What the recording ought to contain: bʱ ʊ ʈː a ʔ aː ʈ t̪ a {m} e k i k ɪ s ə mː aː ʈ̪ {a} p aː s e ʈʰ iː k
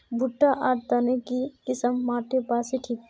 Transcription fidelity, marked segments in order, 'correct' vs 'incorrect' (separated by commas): incorrect, incorrect